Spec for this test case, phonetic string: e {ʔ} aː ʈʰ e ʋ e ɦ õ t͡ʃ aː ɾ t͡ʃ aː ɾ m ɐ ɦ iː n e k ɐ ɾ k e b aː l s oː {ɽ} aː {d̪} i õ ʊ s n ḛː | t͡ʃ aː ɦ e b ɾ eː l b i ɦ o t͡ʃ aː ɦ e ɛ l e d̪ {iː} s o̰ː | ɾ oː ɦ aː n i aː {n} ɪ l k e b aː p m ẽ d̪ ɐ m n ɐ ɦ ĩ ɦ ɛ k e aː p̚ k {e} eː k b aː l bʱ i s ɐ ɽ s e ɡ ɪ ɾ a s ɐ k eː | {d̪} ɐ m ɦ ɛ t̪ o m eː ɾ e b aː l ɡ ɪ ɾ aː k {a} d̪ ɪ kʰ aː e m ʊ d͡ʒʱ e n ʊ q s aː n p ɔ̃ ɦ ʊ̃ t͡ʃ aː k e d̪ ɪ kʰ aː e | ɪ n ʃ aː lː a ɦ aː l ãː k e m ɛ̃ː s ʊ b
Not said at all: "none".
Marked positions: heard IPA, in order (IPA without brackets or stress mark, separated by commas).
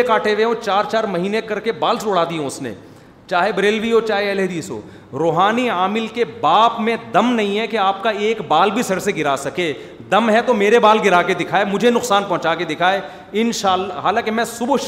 k, ɽ, d̪, iː, m, a, d̪, e